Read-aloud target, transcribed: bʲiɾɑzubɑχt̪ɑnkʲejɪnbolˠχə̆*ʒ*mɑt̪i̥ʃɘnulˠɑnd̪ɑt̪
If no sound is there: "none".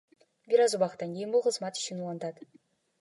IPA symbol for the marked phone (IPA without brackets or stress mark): z